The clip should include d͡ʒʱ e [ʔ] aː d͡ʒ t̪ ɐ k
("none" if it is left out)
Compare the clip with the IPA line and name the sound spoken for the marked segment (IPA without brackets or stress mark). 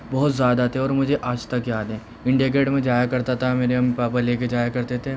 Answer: ʔ